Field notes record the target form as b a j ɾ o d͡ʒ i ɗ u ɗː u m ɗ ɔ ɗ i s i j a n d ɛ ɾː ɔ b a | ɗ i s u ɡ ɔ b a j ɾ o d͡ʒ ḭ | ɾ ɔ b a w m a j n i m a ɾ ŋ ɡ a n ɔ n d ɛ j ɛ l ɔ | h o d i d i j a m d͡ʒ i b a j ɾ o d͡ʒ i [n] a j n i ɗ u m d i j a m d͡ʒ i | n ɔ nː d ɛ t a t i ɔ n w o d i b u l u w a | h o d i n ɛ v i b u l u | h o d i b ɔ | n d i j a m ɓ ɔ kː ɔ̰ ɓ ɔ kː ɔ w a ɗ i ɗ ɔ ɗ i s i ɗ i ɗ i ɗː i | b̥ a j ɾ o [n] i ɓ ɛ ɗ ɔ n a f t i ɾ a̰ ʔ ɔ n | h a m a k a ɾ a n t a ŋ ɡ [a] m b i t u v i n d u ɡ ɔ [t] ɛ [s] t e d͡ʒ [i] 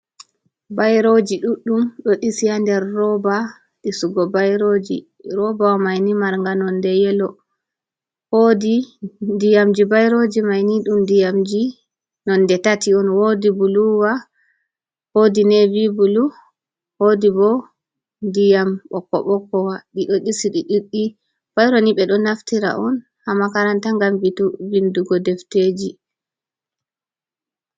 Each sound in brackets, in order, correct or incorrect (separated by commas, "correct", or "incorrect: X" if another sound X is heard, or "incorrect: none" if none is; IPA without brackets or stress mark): incorrect: m, correct, correct, incorrect: d, incorrect: f, correct